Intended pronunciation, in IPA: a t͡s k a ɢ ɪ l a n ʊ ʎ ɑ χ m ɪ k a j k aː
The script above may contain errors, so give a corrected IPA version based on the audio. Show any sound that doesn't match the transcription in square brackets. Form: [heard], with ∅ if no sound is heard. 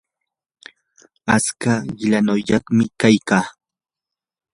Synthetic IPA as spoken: a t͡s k a ɢ ɪ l a n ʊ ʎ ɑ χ m ɪ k a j k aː